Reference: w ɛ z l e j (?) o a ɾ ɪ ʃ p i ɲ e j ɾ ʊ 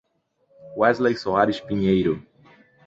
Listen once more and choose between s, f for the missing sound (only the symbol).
s